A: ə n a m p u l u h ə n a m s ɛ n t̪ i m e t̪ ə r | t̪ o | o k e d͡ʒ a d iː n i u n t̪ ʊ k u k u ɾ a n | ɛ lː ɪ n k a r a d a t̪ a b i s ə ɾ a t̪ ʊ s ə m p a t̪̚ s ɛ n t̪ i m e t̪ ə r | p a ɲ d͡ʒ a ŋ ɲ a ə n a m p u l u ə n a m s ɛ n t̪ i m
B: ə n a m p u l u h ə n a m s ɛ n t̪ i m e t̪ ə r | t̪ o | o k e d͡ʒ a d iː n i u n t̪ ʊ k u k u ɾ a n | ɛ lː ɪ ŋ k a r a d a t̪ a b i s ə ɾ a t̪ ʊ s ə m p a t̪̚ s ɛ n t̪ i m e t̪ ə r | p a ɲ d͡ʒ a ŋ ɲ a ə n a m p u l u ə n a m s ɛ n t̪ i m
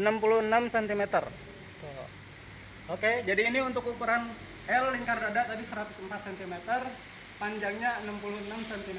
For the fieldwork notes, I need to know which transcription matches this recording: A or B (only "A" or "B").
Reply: B